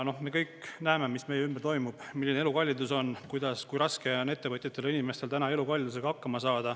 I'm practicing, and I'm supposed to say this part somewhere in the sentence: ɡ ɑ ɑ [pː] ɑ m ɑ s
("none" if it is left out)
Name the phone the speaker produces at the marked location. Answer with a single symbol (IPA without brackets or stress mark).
kː